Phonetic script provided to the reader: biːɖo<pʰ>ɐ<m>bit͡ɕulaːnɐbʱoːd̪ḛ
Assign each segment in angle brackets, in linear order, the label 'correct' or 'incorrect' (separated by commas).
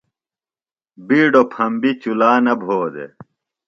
correct, correct